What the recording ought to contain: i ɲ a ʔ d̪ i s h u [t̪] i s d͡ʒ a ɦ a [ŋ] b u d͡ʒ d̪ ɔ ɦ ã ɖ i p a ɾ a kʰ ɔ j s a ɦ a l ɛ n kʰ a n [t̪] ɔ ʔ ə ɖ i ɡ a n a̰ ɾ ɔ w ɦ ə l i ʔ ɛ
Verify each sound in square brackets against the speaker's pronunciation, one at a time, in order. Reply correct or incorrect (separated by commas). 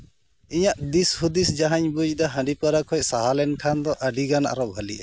incorrect, incorrect, incorrect